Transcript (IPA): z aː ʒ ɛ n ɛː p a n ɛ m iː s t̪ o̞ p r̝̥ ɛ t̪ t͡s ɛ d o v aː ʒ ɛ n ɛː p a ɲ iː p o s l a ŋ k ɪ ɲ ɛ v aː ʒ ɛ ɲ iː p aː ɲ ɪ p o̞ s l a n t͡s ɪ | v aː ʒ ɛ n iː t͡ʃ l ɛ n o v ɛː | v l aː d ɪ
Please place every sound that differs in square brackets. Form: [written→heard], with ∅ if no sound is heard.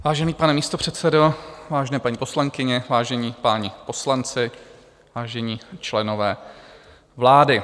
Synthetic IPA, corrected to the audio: [z→v] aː ʒ ɛ n [ɛː→iː] p a n ɛ m iː s t̪ o̞ p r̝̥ ɛ t̪ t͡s ɛ d o v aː ʒ ɛ n ɛː p a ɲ iː p o s l a ŋ k ɪ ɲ ɛ v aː ʒ ɛ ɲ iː p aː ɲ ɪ p o̞ s l a n t͡s ɪ | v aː ʒ ɛ [n→ɲ] iː t͡ʃ l ɛ n o v ɛː | v l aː d ɪ